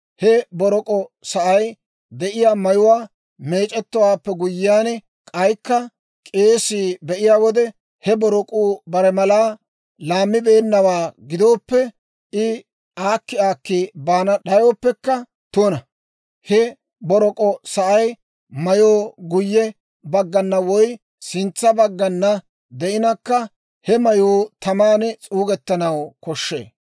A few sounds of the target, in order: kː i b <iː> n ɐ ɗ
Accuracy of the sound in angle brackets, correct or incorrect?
incorrect